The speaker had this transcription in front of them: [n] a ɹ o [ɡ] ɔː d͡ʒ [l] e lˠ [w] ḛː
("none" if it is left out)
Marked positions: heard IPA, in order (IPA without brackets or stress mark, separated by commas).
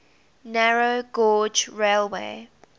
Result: n, ɡ, ɹ, w